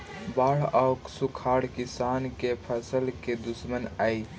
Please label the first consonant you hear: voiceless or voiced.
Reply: voiced